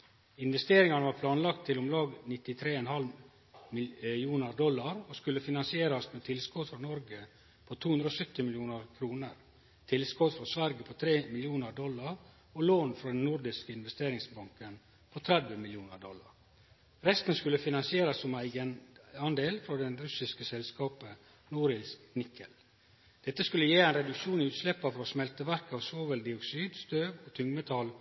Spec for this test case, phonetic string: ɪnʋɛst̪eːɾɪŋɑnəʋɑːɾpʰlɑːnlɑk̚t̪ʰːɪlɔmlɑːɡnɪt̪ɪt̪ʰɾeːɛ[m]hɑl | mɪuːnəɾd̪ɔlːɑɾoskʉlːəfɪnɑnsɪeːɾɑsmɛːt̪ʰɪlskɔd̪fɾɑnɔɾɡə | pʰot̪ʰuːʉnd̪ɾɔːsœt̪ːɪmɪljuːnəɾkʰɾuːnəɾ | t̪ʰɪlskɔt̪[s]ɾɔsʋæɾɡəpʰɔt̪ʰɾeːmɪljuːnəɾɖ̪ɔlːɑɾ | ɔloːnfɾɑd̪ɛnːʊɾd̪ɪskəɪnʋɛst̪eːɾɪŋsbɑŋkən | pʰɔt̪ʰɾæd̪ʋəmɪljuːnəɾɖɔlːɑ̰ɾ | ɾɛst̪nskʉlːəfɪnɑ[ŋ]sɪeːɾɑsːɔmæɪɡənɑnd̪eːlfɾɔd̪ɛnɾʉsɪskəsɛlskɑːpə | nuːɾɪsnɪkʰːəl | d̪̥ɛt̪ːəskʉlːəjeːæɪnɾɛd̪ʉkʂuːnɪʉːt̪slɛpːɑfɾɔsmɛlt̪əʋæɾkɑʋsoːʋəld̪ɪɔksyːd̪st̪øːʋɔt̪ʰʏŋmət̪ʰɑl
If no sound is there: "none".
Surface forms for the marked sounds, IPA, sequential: n, f, n

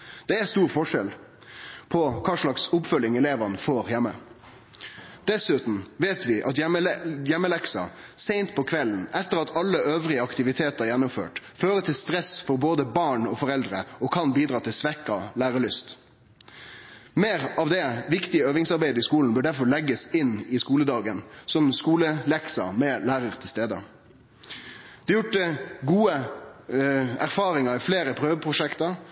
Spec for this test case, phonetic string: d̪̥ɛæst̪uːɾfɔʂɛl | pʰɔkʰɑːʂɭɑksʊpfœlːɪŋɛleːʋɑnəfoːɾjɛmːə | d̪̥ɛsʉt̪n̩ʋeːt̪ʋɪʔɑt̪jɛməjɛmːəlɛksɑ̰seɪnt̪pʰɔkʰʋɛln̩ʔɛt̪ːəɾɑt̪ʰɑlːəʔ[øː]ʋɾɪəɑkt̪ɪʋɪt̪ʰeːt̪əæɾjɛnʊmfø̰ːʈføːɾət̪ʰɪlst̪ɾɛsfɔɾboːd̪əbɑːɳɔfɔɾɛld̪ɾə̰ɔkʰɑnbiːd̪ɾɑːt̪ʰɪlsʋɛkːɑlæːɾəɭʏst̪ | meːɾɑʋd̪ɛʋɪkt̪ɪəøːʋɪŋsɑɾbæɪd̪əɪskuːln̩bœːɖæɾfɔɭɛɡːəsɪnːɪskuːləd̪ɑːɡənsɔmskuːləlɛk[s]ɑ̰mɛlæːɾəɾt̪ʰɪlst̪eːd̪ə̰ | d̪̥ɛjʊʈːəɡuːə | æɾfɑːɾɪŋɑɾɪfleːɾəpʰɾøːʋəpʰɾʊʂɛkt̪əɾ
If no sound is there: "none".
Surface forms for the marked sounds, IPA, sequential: øː, s

